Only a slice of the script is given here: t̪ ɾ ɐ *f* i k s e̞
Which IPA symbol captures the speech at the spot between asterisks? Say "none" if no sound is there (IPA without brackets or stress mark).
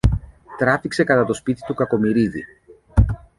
f